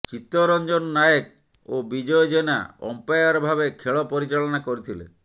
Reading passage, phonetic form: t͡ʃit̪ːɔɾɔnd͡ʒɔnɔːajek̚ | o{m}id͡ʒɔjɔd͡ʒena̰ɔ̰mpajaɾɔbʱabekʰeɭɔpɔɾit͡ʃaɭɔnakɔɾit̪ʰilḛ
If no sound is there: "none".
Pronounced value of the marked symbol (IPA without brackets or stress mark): b